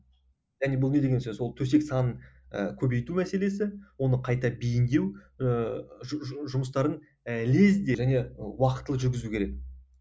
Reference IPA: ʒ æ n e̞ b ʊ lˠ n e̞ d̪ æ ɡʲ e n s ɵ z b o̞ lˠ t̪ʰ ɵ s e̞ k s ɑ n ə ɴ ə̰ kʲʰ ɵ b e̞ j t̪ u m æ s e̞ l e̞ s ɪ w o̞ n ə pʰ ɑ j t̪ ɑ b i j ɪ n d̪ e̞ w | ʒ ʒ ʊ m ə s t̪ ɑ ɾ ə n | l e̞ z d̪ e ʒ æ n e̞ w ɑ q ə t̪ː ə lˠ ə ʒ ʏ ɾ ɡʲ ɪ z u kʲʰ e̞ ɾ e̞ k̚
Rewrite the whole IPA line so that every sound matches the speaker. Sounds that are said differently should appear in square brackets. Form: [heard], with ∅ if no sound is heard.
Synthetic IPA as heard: ʒ æ n e̞ b ʊ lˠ n e̞ d̪ [e] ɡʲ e n s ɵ z [w] o̞ lˠ t̪ʰ ɵ s e̞ k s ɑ n ə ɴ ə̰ kʲʰ ɵ b e̞ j t̪ u m æ s e̞ l e̞ s ɪ w o̞ n ə [qʰ] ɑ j t̪ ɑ b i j ɪ n d̪ e̞ w | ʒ ʒ ʊ m ə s t̪ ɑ ɾ ə n | l e̞ z d̪ e ʒ æ n e̞ w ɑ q ə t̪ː ə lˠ ə ʒ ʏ ɾ ɡʲ ɪ z u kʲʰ e̞ ɾ e̞ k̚

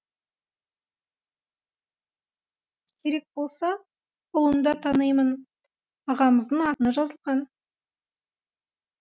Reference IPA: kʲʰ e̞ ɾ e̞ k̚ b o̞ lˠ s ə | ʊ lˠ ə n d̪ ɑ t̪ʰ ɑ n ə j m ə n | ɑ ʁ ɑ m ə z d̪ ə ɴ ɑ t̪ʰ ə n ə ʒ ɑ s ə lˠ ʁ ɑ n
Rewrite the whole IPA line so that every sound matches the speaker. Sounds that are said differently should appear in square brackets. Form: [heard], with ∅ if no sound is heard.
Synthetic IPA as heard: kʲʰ e̞ ɾ e̞ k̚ b o̞ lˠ s [ɑ] | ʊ lˠ ə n d̪ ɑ t̪ʰ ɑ n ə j m ə n | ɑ ʁ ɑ m ə z d̪ ə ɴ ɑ [t̪] ə n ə ʒ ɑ [z] ə lˠ ʁ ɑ n

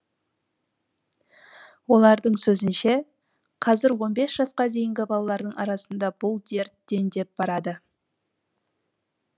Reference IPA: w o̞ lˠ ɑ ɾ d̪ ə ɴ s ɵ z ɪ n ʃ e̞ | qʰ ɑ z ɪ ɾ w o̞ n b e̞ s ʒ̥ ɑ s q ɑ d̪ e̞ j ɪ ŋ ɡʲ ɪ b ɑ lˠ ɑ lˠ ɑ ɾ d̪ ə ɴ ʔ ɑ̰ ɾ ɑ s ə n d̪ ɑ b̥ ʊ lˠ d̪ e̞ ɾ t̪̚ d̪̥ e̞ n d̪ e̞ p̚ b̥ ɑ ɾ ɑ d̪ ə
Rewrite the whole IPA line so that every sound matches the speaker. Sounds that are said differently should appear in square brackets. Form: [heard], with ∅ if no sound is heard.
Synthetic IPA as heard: w o̞ lˠ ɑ ɾ d̪ ə ɴ s ɵ z ɪ n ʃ e̞ | qʰ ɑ z ɪ ɾ w o̞ n b e̞ s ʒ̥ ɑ s q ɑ d̪ e̞ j ɪ ŋ ɡʲ ɪ b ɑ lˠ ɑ lˠ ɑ ɾ d̪ ə ɴ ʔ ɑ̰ ɾ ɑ s ə n d̪ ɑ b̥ ʊ lˠ d̪ e̞ ɾ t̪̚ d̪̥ e̞ n d̪ e̞ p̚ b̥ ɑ ɾ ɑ d̪ ə

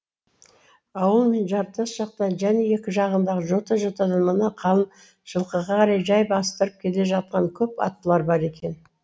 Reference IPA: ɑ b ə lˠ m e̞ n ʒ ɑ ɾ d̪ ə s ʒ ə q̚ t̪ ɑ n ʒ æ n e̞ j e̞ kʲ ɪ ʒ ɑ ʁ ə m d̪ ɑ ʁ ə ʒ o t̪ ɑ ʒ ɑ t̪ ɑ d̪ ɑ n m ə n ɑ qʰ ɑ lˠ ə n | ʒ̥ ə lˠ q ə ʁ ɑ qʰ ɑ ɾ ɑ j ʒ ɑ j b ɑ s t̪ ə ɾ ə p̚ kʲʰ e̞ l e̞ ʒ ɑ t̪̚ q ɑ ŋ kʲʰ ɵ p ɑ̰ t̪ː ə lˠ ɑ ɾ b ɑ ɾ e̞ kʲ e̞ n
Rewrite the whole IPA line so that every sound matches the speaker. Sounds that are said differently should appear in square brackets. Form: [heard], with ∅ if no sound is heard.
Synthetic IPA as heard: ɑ [w] ə lˠ m e̞ n ʒ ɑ ɾ [t̪] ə s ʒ [ɑ] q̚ t̪ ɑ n ʒ æ n e̞ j e̞ kʲ ɪ ʒ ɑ ʁ ə [n] d̪ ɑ ʁ ə ʒ o t̪ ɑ ʒ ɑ t̪ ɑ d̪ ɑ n m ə n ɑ qʰ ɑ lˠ ə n | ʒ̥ ə lˠ q ə ʁ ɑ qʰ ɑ ɾ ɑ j ʒ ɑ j b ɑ s t̪ ə ɾ ə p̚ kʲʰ e̞ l e̞ ʒ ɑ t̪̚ q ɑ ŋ kʲʰ ɵ p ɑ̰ t̪ː ə lˠ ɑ ɾ b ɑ ɾ e̞ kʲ e̞ n

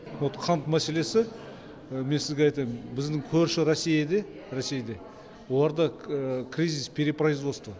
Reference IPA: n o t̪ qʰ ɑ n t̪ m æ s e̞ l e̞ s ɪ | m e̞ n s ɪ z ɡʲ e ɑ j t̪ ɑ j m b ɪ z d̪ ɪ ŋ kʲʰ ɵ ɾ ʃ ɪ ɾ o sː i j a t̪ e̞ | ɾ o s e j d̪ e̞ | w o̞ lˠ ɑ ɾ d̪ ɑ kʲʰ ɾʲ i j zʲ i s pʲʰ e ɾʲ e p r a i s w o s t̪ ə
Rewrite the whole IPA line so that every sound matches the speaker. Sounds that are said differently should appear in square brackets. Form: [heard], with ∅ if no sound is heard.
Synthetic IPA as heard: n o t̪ qʰ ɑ n t̪ m æ s e̞ l e̞ s ɪ | m e̞ n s ɪ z ɡʲ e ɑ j t̪ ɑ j m b ɪ z d̪ ɪ ŋ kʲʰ ɵ ɾ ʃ ɪ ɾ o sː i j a [d̪] e̞ | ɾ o s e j d̪ e̞ | w o̞ lˠ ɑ ɾ d̪ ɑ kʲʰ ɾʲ i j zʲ i s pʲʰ e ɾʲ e p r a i [z] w o s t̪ ə

